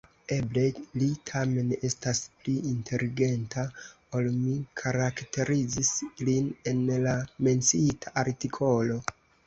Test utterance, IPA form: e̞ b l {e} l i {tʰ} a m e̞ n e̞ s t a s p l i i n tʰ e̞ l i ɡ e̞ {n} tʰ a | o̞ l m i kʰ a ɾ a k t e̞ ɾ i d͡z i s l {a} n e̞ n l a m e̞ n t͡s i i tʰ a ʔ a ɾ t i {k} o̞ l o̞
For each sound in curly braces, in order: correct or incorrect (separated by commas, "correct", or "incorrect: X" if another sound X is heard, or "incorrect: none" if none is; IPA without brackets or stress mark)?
correct, correct, correct, incorrect: i, incorrect: kʰ